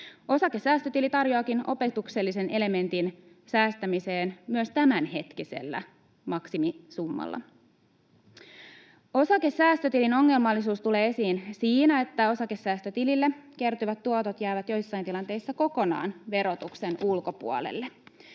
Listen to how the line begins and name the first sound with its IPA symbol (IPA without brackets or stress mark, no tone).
o̞